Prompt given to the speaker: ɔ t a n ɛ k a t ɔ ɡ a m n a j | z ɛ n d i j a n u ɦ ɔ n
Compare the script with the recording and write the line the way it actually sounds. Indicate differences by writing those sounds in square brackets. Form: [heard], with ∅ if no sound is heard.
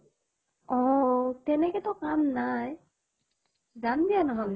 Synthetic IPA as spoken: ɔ t [ɛ] n ɛ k [ɛ] t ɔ [k] a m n a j | z [a] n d i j a n [ɔ] ɦ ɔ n